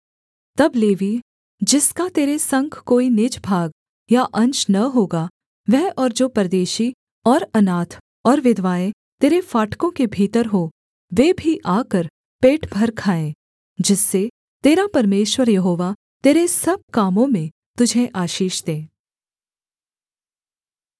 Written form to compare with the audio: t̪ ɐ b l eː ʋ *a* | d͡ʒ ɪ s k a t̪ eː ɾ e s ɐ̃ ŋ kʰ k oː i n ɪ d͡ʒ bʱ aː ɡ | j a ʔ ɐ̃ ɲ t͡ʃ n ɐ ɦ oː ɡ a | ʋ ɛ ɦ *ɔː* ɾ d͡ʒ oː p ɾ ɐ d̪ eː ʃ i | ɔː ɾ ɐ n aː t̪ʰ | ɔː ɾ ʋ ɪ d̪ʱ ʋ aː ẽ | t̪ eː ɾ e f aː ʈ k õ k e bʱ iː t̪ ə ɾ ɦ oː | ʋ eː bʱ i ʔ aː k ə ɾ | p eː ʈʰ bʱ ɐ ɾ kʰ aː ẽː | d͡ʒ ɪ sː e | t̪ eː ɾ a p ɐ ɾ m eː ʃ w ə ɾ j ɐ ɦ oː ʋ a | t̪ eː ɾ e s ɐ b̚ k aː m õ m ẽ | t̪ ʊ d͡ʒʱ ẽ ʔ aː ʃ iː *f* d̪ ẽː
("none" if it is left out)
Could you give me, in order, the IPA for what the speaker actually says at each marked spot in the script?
i, ɔː, ʃ

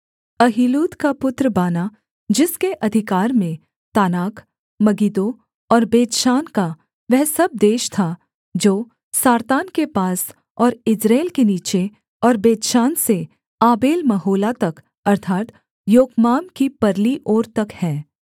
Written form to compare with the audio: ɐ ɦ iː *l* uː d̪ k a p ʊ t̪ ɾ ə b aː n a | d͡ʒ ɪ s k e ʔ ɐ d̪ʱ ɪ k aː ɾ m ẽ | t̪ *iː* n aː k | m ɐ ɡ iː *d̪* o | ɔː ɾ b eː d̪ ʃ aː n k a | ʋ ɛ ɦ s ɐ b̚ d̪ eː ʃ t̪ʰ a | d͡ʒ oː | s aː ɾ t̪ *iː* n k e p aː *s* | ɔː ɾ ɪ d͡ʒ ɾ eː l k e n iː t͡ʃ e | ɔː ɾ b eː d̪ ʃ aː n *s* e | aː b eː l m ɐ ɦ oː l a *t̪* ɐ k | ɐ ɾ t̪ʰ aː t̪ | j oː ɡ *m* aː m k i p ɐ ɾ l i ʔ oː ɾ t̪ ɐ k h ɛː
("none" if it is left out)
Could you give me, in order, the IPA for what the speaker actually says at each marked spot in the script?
l, aː, d̪, aː, s, s, t̪, m

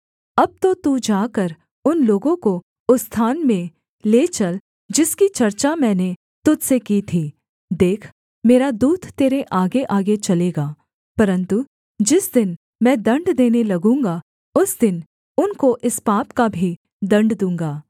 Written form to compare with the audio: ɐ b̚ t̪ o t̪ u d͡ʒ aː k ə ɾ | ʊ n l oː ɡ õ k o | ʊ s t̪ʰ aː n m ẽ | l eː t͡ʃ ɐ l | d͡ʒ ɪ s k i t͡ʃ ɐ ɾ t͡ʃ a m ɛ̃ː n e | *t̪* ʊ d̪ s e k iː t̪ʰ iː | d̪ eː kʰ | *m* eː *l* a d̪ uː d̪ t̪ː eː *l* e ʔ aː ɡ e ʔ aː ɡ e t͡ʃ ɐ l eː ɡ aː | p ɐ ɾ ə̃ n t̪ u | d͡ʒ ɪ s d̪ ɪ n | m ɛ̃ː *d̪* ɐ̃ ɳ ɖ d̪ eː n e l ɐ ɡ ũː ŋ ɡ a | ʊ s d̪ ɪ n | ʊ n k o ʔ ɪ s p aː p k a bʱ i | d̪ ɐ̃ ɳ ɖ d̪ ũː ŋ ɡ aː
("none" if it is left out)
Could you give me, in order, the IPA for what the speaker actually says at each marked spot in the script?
t̪, m, ɾ, ɾ, d̪

